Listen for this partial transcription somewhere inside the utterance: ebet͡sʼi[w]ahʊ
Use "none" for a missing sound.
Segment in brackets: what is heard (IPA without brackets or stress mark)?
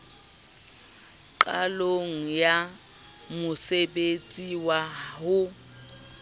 w